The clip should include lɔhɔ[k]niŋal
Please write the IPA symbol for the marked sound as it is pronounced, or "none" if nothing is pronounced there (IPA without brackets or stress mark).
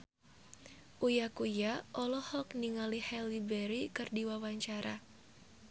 k